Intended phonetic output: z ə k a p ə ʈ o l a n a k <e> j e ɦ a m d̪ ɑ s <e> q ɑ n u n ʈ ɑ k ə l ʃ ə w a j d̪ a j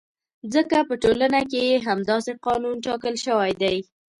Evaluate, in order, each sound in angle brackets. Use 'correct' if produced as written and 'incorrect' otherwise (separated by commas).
correct, correct